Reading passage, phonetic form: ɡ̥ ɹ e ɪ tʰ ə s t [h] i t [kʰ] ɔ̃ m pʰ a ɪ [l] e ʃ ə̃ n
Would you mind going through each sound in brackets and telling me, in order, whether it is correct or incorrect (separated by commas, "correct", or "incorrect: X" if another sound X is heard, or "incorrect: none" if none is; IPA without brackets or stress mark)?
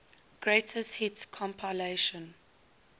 correct, correct, correct